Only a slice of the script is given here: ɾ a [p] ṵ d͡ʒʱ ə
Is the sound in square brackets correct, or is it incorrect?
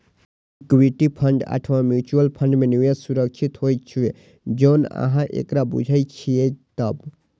incorrect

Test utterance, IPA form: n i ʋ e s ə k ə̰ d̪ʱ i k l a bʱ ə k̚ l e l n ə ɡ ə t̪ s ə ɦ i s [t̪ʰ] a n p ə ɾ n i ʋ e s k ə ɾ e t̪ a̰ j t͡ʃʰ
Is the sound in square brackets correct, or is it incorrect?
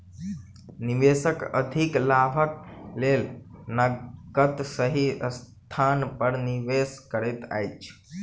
correct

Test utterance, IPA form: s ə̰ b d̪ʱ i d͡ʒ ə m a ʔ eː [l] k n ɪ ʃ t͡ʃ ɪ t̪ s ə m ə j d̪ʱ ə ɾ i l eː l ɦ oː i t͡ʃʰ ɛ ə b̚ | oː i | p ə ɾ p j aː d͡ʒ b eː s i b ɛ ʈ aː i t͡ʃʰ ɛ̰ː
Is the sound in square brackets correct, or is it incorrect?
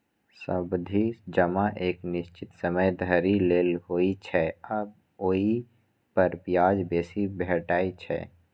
incorrect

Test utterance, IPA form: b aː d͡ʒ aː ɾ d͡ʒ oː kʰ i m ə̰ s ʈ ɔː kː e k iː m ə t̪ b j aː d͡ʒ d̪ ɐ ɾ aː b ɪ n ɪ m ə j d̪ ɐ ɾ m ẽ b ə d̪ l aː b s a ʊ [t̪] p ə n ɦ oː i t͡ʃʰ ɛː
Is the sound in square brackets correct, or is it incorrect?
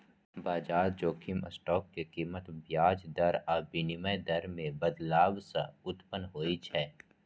correct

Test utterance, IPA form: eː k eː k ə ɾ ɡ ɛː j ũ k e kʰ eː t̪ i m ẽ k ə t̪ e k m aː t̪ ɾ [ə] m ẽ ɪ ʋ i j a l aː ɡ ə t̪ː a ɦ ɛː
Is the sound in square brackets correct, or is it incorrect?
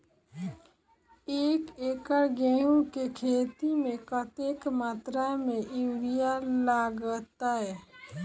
incorrect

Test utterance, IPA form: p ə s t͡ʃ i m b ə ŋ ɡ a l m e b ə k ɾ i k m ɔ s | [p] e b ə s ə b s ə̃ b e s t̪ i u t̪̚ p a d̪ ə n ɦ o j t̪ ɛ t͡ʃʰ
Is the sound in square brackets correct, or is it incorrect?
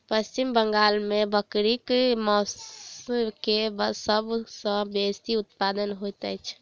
incorrect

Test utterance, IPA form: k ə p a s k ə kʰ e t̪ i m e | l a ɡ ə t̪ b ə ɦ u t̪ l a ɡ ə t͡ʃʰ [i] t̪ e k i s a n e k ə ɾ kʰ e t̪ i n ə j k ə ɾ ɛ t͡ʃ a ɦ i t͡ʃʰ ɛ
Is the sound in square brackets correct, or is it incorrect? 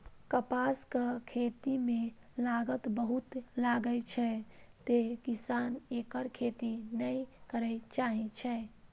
incorrect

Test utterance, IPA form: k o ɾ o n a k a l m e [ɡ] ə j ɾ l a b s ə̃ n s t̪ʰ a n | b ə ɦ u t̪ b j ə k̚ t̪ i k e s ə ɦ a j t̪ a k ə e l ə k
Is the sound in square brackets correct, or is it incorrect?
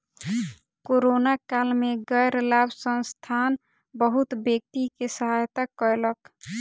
correct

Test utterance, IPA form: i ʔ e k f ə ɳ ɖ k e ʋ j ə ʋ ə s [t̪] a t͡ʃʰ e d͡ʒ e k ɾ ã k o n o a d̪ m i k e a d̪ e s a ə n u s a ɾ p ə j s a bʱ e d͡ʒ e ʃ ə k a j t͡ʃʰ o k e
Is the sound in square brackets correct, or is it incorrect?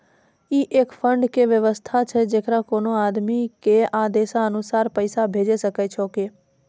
incorrect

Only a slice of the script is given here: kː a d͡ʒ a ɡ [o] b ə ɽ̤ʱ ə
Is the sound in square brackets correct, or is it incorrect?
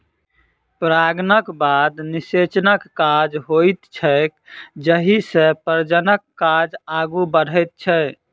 incorrect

